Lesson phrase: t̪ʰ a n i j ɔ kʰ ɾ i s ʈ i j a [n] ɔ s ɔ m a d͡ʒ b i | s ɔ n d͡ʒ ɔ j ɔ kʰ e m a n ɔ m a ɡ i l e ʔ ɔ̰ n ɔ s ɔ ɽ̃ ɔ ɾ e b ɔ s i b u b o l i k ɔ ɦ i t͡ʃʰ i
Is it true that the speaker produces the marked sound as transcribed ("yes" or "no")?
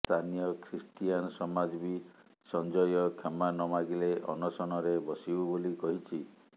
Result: yes